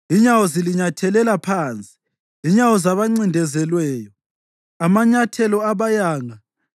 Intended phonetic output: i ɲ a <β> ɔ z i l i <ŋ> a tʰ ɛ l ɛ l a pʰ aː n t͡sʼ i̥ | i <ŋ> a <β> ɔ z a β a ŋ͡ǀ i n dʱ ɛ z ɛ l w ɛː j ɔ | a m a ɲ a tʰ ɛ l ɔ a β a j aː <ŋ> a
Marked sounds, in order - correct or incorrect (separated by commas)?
incorrect, incorrect, incorrect, incorrect, correct